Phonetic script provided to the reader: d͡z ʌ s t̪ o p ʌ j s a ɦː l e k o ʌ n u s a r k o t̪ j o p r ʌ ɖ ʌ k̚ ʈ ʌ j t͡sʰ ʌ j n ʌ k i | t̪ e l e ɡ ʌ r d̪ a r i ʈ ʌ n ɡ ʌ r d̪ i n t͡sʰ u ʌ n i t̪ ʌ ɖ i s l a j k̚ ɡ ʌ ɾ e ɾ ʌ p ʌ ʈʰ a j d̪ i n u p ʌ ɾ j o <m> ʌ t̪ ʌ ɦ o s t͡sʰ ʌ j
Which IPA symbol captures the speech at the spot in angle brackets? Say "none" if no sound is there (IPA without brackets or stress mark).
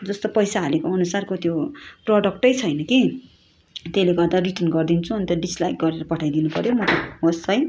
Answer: m